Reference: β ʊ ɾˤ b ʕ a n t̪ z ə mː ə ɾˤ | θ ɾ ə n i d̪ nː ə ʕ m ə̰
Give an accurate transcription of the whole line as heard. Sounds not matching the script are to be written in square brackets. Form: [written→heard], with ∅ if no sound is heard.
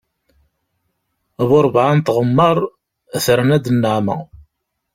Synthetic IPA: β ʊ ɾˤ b ʕ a n t̪ [z→ʁ] ə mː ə ɾˤ | θ ɾ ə n [i→æ] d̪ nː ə ʕ m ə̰

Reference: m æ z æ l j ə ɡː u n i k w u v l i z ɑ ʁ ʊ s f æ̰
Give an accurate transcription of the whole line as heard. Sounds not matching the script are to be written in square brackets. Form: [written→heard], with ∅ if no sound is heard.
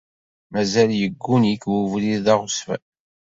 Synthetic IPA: m æ z æ l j ə ɡː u n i k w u v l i [z→ð] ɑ ʁ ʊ s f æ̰

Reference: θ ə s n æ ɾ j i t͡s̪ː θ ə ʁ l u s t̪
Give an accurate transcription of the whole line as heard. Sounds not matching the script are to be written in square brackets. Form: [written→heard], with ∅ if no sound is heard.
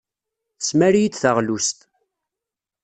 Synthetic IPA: θ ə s [n→m] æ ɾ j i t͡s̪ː θ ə ʁ l u s t̪

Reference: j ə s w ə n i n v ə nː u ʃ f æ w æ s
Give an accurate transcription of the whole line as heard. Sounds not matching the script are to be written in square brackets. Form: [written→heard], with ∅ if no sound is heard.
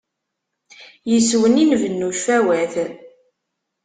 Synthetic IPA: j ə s w ə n i n v ə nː u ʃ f æ w æ [s→θ]

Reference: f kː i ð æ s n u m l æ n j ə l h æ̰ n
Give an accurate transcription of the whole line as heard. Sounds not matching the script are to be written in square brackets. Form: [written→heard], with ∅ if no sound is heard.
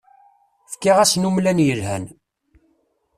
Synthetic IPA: f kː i [ð→ʁ] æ s n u m l æ n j ə l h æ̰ n

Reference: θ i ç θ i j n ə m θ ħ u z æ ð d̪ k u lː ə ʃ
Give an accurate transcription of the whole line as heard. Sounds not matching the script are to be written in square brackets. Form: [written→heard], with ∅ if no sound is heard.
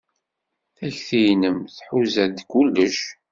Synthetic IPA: θ [i→æ] ç θ i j n ə m θ ħ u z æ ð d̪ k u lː ə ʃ

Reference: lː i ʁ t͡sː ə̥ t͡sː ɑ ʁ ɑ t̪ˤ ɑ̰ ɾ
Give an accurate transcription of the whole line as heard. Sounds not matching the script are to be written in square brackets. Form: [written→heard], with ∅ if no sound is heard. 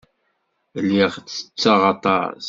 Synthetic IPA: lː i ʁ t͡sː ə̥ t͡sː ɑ ʁ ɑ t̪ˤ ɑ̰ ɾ

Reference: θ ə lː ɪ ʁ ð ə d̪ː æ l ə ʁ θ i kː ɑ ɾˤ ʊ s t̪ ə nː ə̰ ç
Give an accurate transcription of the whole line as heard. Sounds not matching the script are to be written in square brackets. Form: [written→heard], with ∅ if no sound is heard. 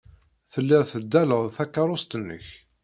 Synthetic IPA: θ ə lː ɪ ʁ [ð→θ] ə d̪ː æ l ə ʁ θ [i→æ] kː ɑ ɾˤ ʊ s t̪ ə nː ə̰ ç

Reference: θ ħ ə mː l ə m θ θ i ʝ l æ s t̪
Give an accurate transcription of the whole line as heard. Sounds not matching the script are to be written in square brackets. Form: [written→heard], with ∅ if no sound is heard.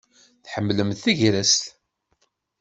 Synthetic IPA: θ ħ ə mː l ə m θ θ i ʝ [l→ɾ] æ s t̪

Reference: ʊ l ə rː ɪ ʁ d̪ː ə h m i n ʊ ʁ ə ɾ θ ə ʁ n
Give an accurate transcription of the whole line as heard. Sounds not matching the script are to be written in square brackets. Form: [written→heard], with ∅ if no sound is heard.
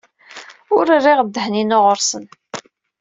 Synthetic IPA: ʊ [l→ɾ] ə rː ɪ ʁ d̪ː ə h [m→n] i n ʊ ʁ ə ɾ [θ→s] ə [ʁ→∅] n

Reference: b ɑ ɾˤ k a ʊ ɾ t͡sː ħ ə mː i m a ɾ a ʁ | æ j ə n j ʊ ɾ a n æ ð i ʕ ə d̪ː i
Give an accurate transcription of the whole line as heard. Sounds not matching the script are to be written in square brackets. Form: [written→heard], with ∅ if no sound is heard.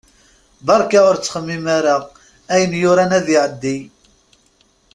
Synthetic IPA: b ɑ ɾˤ k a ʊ ɾ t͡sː [ħ→χ] ə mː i m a ɾ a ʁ | æ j ə n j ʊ ɾ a n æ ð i ʕ ə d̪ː i

